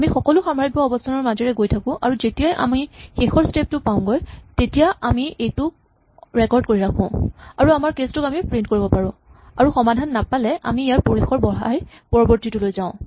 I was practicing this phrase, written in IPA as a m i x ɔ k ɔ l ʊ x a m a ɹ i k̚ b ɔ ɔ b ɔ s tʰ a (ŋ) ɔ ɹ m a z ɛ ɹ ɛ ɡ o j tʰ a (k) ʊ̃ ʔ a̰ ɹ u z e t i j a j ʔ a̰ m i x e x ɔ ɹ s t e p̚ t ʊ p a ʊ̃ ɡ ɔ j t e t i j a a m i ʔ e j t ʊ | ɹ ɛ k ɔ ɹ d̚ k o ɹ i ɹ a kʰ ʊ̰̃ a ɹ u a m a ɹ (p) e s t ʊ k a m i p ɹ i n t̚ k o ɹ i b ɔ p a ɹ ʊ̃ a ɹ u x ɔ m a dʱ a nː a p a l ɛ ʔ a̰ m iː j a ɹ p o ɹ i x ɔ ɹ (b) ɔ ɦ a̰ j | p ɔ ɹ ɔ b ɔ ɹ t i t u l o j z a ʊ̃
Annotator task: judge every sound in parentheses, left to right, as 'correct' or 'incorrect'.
incorrect: n, correct, incorrect: k, correct

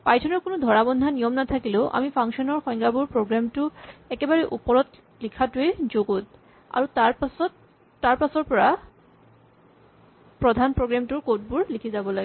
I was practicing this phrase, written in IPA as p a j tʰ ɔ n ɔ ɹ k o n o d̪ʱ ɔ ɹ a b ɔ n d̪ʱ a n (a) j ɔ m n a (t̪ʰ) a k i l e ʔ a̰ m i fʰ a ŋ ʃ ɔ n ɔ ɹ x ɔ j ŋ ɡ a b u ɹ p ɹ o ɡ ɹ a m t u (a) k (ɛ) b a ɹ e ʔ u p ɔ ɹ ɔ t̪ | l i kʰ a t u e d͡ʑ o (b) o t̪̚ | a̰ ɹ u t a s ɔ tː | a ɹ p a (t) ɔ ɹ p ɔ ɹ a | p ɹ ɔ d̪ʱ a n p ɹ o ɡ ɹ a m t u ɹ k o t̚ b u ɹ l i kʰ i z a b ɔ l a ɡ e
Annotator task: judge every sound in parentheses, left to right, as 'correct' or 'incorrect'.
incorrect: i, correct, incorrect: ɛ, incorrect: e, incorrect: ɡ, incorrect: s

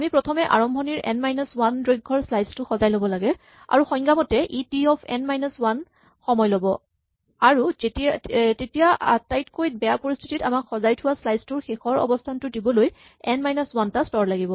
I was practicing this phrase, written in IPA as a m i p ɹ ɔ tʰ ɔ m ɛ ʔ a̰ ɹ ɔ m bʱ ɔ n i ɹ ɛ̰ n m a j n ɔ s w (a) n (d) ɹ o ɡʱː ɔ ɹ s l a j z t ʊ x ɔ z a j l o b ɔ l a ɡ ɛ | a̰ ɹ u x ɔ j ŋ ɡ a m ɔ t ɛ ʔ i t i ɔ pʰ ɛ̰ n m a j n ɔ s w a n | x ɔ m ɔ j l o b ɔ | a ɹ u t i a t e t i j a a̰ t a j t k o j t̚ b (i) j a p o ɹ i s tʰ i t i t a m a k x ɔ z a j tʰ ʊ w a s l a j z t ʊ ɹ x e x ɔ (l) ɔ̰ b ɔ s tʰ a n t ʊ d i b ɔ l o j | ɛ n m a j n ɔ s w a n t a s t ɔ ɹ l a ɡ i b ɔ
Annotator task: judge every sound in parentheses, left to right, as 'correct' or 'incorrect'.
correct, correct, incorrect: ɛ, incorrect: ɹ

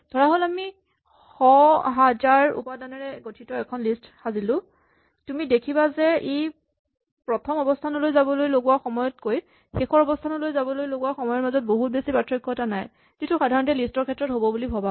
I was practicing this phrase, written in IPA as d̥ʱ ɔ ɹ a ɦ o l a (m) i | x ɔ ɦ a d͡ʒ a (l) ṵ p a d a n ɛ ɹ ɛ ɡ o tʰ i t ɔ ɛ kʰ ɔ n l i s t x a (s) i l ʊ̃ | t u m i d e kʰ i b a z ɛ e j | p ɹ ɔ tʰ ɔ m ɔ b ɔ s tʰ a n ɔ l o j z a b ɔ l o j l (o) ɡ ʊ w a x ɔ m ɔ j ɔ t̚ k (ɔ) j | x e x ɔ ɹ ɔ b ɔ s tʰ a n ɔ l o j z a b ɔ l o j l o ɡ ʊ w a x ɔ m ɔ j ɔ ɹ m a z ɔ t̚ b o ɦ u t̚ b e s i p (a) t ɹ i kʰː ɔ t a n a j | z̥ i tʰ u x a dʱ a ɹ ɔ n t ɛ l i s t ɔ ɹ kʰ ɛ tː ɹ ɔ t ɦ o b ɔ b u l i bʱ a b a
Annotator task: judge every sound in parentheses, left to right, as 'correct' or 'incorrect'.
correct, incorrect: ɹ, incorrect: z, correct, incorrect: o, correct

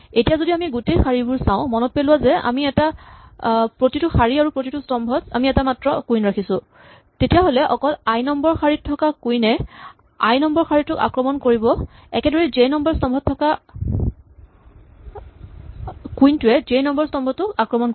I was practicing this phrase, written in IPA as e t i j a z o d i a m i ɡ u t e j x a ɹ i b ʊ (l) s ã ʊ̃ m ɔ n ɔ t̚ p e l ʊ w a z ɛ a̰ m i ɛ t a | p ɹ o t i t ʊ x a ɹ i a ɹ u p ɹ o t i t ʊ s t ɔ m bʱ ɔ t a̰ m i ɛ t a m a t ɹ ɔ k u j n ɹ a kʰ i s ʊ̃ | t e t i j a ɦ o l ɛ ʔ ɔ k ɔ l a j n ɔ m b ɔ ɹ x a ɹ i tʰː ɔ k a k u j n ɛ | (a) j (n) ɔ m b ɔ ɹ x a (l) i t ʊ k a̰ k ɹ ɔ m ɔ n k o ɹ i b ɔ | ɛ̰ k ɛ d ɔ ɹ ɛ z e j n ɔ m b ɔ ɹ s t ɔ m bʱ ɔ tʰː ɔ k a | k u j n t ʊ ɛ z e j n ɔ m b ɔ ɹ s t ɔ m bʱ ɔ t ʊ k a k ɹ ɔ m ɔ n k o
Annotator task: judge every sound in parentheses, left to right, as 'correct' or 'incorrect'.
incorrect: ɹ, correct, correct, incorrect: ɹ

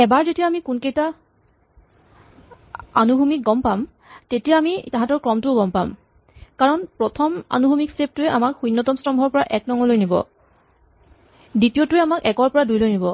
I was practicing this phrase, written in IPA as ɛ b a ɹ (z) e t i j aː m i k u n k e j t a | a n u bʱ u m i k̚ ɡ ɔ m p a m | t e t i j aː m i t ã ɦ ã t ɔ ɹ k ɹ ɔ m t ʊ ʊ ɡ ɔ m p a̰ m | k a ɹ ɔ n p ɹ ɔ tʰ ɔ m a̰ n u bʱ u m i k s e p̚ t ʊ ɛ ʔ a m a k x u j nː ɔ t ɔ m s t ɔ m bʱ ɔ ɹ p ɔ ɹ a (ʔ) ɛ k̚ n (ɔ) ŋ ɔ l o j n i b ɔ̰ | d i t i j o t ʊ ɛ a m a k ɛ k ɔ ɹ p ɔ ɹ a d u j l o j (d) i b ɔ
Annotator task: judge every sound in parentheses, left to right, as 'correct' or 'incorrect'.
correct, correct, correct, incorrect: n

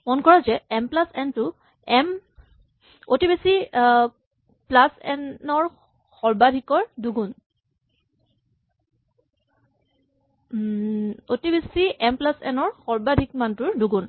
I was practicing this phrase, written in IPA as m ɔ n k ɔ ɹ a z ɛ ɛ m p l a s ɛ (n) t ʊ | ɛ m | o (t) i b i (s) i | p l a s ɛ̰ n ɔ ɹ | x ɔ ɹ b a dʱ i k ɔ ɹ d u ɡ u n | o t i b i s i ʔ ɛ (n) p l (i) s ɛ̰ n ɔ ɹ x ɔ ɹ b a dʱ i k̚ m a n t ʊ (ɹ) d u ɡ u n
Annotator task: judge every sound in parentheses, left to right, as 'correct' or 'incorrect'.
correct, correct, correct, incorrect: m, incorrect: a, correct

